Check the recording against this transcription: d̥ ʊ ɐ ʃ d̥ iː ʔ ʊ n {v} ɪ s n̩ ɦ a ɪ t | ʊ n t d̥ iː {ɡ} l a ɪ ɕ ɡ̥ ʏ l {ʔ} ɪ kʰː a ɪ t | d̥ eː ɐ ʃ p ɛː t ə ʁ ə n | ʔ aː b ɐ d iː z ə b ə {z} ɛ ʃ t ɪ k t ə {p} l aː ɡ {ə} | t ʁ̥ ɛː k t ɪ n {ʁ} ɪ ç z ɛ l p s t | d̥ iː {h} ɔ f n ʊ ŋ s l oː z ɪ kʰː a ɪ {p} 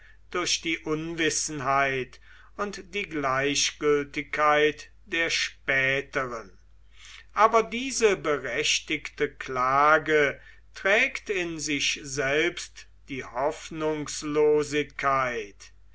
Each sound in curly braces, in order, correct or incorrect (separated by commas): correct, correct, incorrect, incorrect, incorrect, correct, incorrect, correct, incorrect